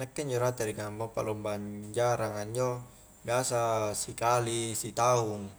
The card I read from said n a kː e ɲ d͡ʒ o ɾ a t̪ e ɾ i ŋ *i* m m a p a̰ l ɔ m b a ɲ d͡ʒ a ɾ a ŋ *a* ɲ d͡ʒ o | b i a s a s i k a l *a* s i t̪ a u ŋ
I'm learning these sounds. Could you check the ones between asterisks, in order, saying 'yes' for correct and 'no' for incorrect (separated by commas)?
no, yes, no